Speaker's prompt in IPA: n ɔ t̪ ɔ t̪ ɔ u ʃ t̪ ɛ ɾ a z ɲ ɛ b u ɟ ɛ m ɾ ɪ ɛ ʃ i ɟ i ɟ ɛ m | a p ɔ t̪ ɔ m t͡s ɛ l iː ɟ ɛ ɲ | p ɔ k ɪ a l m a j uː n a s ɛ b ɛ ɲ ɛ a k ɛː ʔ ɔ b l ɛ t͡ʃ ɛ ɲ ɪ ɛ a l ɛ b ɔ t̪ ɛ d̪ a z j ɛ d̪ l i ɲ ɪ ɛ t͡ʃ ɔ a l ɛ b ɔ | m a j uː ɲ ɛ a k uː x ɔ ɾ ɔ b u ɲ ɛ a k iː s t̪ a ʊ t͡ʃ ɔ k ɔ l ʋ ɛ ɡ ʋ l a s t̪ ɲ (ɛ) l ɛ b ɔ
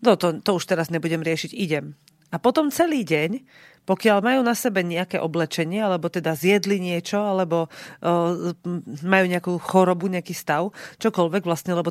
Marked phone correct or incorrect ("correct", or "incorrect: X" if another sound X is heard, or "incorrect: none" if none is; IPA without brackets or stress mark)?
correct